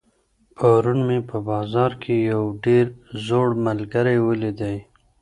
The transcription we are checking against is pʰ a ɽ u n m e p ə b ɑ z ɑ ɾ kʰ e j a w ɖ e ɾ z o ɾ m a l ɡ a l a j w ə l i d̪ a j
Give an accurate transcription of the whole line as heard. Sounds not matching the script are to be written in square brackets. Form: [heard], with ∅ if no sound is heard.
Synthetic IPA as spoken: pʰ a [ɾ] u n m e p ə b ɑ z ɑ ɾ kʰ e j a w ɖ e ɾ z o [ɽ] m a l ɡ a [ɾ] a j w ə l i d̪ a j

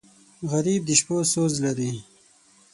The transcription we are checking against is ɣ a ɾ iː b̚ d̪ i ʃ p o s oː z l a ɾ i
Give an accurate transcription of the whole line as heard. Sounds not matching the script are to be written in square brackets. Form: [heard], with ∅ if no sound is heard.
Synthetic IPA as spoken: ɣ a ɾ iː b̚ d̪ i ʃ p o s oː z l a ɾ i

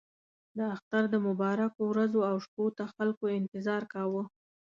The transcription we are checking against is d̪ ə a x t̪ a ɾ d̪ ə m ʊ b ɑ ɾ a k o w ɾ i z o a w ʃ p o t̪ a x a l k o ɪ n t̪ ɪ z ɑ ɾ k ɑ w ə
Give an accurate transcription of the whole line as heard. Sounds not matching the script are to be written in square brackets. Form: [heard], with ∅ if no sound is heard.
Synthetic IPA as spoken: d̪ ə a x t̪ a ɾ d̪ ə m ʊ b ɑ ɾ a k o w ɾ [a] z o a w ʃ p o t̪ a x a l k o ɪ n t̪ ɪ z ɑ ɾ k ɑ w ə

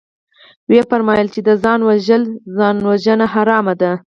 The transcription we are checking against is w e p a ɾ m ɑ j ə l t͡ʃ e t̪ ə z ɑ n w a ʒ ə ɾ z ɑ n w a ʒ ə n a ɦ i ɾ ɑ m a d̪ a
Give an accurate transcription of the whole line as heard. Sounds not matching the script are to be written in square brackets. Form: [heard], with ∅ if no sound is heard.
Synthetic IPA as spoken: w e p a ɾ m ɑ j ə l t͡ʃ e [d̪] ə z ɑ n w a ʒ ə [l] z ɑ n w a ʒ ə n a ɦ [a] ɾ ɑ m a d̪ a

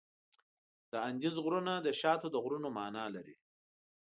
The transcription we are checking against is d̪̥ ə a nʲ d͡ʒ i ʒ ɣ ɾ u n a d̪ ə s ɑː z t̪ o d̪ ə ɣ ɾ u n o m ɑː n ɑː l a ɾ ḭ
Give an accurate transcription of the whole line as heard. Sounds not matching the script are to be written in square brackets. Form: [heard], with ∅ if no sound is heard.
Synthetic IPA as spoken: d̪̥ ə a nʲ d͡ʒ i [z] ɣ ɾ u n a d̪ ə [ʃ] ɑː [∅] t̪ o d̪ ə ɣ ɾ u n o m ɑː n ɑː l a ɾ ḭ

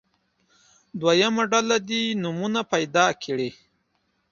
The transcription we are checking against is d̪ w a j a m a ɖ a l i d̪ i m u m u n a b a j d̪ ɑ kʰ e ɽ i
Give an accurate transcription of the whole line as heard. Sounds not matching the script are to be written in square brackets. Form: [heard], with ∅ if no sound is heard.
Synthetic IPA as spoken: d̪ w a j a m a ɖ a l [a] d̪ i [n] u m u n a [p] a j d̪ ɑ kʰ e ɽ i

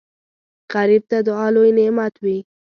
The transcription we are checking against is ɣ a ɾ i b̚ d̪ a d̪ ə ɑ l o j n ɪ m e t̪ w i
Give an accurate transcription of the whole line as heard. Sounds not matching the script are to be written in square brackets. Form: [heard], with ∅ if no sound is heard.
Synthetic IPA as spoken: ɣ a ɾ i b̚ [t̪] a d̪ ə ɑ l o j n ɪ m [a] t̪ w i

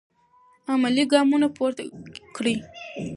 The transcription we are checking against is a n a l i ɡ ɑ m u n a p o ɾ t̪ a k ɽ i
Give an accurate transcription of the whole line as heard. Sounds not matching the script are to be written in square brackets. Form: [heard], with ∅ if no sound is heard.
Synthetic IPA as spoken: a [m] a l i ɡ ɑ m u n a p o ɾ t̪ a k ɽ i

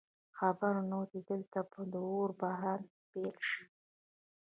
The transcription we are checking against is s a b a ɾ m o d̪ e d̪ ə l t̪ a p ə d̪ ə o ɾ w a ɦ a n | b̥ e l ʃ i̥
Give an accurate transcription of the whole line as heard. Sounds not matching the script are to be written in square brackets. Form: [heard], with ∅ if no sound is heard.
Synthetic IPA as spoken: [x] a b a ɾ [n] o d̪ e d̪ ə l t̪ a p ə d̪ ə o ɾ [b] a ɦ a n | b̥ e l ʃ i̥

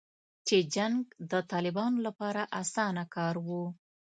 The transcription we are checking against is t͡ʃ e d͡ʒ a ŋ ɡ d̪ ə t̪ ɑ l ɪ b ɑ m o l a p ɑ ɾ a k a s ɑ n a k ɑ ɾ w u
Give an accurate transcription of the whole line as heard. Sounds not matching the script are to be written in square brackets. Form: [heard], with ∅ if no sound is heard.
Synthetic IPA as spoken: t͡ʃ e d͡ʒ a ŋ ɡ d̪ ə t̪ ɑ l ɪ b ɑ [n] o l a p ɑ ɾ a [ʔ] a s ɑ n a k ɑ ɾ w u

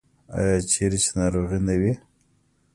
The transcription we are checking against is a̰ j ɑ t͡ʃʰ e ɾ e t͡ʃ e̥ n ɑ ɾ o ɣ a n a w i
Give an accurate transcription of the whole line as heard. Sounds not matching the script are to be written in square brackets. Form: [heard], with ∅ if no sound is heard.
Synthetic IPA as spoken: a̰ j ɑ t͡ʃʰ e ɾ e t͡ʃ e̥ n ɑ ɾ o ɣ [i] n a w i

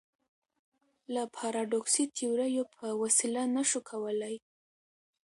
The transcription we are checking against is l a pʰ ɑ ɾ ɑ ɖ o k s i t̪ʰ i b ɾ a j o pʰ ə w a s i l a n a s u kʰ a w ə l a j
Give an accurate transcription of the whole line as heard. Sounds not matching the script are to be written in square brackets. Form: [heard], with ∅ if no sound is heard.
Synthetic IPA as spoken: l a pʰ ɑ ɾ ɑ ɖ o k s i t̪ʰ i [w] ɾ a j o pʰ ə w a s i l a n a [ʃ] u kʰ a w ə l a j

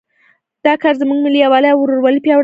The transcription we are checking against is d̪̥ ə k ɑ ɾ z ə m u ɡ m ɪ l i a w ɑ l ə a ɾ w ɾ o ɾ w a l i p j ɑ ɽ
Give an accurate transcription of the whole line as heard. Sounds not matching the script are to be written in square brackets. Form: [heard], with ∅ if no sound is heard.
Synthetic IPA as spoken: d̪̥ [ɑ] k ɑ ɾ z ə m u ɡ m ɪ l i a w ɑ l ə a [∅] w ɾ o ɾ w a l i p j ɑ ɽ

